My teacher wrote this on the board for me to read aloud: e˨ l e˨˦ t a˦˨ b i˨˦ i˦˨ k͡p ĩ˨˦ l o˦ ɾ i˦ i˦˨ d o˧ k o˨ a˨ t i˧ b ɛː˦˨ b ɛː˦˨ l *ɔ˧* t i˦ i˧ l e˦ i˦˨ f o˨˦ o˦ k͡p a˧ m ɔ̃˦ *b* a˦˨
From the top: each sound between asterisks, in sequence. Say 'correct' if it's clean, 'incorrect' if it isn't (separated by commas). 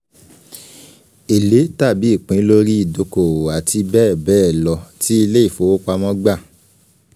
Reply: correct, incorrect